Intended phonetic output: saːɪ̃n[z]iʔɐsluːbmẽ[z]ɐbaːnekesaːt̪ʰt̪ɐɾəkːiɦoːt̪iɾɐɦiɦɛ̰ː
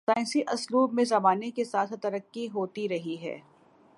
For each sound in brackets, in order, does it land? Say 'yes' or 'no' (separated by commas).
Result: no, yes